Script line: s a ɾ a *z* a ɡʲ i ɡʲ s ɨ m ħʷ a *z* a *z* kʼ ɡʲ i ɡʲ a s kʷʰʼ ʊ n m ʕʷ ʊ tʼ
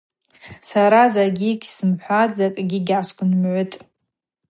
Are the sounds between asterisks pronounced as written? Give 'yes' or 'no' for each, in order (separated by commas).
yes, no, no